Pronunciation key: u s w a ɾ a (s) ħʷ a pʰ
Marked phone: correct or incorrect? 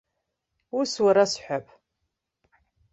correct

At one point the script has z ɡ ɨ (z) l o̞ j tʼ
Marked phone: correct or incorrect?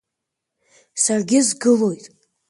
incorrect: none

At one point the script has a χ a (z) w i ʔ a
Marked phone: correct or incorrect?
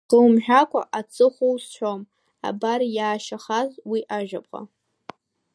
correct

